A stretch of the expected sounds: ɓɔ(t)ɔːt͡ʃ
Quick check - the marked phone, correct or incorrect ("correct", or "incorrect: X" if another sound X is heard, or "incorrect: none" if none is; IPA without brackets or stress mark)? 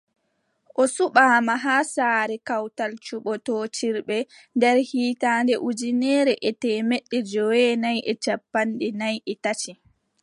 correct